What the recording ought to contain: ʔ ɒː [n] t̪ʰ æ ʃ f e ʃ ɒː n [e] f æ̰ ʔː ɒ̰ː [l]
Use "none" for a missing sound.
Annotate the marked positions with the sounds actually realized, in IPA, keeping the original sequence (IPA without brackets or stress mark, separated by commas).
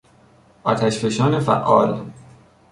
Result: none, e, l